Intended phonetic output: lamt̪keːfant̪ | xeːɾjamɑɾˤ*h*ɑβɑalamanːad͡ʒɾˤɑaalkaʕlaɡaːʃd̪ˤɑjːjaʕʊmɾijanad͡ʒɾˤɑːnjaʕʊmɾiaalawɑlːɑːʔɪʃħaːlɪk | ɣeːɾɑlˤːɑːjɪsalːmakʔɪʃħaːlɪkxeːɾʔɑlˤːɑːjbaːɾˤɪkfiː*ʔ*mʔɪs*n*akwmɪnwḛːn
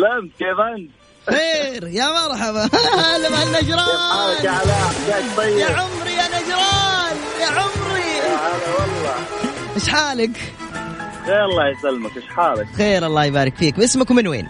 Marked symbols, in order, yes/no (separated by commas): no, no, no